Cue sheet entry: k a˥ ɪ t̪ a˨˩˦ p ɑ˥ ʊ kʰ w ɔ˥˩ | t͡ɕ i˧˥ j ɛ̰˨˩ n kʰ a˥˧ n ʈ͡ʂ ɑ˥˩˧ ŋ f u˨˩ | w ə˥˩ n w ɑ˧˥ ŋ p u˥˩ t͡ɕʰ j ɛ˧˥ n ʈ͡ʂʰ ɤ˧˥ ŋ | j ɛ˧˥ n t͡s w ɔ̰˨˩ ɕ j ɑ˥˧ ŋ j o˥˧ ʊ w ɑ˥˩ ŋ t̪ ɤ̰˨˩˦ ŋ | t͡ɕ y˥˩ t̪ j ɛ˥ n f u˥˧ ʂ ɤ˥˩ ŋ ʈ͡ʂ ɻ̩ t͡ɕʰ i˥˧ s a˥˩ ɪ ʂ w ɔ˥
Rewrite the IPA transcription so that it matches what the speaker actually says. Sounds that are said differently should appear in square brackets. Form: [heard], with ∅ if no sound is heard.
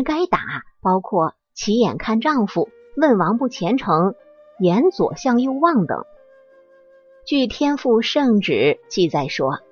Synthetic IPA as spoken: k a˥ ɪ t̪ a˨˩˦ p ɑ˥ ʊ kʰ w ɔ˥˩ | [t͡ɕʰ] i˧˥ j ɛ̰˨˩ n kʰ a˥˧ n ʈ͡ʂ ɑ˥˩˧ ŋ f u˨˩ | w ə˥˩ n w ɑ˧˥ ŋ p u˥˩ t͡ɕʰ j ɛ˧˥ n ʈ͡ʂʰ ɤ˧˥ ŋ | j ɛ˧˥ n t͡s w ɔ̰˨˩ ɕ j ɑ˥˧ ŋ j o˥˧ ʊ w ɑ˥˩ ŋ t̪ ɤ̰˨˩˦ ŋ | t͡ɕ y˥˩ [t̪ʰ] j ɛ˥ n f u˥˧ ʂ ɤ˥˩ ŋ ʈ͡ʂ ɻ̩ [t͡ɕ] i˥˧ [t͡s] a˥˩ ɪ ʂ w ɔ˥